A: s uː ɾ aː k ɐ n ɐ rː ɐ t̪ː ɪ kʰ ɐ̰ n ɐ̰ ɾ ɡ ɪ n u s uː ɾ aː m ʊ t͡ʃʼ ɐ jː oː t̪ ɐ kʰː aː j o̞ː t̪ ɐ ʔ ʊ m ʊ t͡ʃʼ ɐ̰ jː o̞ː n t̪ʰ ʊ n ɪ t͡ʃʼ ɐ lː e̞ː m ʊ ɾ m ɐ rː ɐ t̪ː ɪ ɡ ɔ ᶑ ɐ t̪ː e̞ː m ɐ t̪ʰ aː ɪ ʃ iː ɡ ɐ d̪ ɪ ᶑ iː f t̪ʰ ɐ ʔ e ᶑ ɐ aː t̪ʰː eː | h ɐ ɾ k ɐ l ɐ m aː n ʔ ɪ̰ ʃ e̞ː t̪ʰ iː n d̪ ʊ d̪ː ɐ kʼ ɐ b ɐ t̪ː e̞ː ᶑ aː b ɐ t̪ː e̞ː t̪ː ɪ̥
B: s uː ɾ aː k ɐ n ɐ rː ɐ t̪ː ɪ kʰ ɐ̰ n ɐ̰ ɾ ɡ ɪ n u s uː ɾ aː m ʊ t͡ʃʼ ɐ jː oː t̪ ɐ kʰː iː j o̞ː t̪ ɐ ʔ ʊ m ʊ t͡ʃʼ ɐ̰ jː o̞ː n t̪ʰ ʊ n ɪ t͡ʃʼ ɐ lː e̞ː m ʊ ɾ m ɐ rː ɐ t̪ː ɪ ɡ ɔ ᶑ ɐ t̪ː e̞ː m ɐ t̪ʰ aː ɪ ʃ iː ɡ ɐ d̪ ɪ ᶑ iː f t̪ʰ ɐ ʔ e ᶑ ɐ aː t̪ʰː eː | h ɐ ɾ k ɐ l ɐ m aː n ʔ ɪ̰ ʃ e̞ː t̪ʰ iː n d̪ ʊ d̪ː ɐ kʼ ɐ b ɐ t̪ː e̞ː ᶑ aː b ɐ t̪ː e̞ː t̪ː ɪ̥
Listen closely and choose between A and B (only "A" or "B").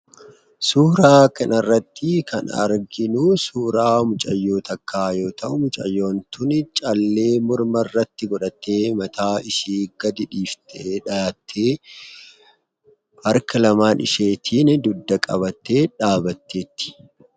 A